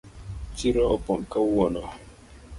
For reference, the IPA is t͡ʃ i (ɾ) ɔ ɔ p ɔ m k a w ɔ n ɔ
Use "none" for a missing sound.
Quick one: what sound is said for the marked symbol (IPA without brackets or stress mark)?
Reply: ɾ